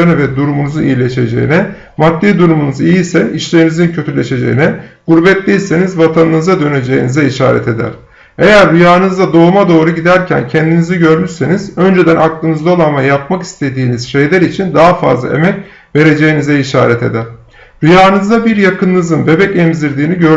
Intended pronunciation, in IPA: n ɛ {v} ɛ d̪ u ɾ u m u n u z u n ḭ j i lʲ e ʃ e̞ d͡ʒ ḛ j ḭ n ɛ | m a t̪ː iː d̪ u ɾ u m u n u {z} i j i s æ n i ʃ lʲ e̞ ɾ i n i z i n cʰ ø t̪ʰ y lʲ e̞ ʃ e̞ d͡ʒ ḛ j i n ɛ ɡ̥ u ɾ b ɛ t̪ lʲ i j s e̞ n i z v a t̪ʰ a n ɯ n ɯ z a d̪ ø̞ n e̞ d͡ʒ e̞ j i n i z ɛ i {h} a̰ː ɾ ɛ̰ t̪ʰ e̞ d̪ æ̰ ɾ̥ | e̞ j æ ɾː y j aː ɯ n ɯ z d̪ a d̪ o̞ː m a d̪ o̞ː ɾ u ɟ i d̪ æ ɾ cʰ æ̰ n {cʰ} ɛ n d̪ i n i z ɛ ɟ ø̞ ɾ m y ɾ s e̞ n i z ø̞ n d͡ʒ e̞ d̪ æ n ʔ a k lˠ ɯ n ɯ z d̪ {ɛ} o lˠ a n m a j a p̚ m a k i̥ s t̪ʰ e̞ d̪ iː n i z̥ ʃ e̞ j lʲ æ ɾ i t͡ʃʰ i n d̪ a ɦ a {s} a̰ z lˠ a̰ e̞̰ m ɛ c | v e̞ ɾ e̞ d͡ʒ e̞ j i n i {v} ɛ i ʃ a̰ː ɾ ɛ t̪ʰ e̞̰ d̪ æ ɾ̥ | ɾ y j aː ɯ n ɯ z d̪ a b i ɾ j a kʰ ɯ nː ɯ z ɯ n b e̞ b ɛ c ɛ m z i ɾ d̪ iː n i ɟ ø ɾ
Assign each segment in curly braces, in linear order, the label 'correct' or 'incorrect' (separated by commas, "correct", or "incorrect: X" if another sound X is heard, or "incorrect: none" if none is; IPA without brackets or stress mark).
correct, correct, incorrect: ʃ, correct, incorrect: a, incorrect: f, incorrect: z